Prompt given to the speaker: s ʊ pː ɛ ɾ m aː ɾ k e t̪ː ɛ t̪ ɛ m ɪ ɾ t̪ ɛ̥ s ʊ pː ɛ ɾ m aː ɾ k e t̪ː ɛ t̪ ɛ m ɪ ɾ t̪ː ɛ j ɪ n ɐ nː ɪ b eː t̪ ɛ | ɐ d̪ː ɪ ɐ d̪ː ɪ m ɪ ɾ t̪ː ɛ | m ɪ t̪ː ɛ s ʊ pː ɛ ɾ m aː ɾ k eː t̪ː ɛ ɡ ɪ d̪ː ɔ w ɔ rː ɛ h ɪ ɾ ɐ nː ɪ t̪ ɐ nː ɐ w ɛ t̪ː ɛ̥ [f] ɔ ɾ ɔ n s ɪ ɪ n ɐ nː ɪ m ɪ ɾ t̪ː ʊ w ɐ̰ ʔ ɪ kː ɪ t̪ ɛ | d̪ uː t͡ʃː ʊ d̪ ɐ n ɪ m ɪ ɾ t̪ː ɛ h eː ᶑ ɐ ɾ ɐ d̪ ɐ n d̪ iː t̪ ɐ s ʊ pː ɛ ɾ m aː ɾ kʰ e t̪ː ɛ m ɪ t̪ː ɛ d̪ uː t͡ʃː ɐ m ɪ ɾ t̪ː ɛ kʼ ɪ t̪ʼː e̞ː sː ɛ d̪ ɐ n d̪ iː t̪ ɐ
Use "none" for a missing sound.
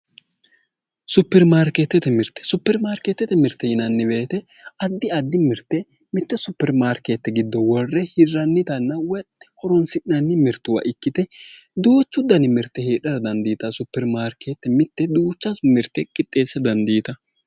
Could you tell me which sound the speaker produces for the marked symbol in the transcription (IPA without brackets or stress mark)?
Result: h